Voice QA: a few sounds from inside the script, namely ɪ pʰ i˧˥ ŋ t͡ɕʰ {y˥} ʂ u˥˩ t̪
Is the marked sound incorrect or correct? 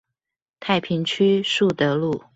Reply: correct